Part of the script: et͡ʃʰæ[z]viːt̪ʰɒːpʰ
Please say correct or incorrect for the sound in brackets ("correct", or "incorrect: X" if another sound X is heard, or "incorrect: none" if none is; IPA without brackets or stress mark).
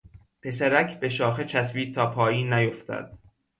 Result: incorrect: s